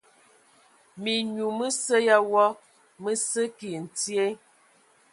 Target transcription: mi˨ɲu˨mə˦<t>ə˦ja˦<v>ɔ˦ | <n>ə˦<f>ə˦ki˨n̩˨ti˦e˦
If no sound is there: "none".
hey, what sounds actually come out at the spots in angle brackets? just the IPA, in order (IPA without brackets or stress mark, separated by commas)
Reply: s, w, m, s